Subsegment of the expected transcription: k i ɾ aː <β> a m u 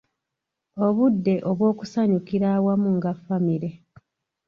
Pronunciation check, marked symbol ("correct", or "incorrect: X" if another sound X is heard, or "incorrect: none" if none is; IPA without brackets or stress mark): incorrect: w